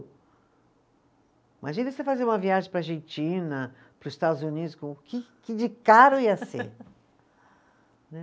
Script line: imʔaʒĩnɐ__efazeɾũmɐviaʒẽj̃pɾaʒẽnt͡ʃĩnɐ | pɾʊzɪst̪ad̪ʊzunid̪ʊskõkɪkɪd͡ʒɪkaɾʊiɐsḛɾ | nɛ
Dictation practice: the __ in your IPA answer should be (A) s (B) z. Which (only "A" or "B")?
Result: A